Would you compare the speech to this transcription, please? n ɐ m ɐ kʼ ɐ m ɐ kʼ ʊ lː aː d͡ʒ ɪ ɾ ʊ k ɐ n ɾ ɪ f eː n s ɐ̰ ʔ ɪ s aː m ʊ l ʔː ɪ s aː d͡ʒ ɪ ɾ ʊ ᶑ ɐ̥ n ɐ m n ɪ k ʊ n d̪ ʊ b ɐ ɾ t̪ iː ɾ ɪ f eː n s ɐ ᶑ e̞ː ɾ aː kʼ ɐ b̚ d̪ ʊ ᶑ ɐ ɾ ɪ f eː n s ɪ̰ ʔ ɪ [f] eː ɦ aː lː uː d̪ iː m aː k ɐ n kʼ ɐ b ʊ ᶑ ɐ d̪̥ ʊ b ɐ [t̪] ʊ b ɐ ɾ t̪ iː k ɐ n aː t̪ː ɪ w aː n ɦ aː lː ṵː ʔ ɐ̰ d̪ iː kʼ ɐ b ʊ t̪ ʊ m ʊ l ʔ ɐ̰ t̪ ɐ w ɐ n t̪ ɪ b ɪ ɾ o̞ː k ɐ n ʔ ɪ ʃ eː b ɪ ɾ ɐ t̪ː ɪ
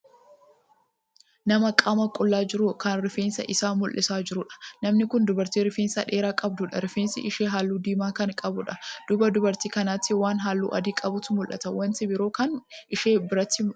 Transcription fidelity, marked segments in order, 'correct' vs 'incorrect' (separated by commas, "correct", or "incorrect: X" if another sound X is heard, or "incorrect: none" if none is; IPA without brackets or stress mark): incorrect: ʃ, incorrect: d̪